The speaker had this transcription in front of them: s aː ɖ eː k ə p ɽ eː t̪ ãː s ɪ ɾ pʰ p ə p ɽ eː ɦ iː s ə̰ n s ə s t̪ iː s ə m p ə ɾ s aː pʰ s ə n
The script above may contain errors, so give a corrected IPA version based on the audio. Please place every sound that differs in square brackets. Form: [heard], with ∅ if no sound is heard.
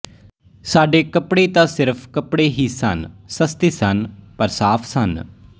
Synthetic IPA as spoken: s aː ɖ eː k ə p ɽ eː t̪ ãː s ɪ ɾ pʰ [k] ə p ɽ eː ɦ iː s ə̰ n s ə s t̪ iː s ə [n] p ə ɾ s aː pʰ s ə n